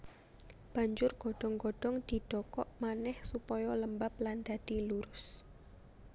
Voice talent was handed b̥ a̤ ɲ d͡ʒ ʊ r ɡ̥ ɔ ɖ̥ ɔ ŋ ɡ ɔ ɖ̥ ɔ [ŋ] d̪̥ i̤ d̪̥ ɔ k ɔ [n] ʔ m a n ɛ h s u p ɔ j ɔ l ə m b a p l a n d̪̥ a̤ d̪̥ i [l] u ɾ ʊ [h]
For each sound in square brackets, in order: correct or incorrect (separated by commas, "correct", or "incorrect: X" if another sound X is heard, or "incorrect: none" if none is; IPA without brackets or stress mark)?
correct, incorrect: none, correct, incorrect: s